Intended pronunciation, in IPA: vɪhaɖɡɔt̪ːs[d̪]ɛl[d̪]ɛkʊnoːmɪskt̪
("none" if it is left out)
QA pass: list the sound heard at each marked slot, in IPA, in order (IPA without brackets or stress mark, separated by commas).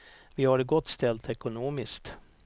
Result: t̪, t̪